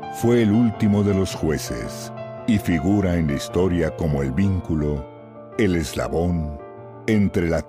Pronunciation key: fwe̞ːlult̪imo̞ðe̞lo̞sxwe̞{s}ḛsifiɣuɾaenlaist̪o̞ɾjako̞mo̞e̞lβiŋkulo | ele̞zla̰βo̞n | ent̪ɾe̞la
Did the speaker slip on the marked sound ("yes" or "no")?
no